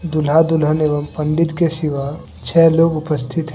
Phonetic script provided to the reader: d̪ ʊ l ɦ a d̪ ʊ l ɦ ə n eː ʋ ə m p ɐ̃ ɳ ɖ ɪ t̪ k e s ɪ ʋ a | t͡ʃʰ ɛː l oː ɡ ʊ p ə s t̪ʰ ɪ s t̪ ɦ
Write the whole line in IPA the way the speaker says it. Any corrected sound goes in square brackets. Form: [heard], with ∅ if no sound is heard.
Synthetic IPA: d̪ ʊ l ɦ a d̪ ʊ l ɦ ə n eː ʋ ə m p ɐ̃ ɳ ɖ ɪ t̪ k e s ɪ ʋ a | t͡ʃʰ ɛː l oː ɡ ʊ p ə s t̪ʰ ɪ [∅] t̪ ɦ